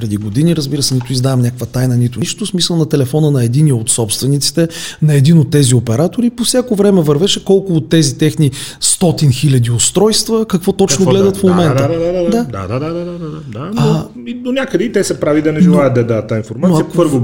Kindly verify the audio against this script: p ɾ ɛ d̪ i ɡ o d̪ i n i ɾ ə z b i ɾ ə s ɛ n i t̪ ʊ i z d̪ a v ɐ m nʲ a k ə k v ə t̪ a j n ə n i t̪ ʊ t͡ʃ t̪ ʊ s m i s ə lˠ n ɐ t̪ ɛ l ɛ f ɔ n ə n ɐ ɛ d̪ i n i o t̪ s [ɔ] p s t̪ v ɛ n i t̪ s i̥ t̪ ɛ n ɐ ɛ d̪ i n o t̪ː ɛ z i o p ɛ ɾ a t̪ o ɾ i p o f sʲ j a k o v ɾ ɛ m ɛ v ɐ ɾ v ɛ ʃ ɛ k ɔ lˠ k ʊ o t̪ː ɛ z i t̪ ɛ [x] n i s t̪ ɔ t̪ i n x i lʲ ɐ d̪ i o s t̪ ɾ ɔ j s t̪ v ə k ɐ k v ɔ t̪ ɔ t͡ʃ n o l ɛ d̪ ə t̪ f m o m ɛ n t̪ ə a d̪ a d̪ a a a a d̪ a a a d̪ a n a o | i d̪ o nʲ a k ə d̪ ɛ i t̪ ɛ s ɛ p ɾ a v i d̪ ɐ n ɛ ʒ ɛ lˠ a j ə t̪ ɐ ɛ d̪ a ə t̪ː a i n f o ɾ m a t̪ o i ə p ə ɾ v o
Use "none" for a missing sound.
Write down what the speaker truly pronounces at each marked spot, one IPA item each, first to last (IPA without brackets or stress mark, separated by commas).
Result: ɔ, x